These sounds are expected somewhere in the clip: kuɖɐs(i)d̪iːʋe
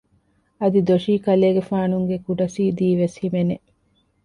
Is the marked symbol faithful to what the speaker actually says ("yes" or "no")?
no